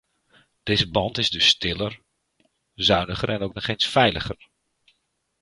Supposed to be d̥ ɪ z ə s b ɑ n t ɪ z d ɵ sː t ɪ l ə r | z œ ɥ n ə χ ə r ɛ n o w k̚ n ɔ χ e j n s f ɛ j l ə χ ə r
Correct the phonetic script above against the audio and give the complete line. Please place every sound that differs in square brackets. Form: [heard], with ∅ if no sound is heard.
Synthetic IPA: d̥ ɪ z ə [∅] b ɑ n t ɪ z d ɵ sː t ɪ l ə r | z œ ɥ n ə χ ə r ɛ n o w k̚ n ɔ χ e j n s f ɛ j l ə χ ə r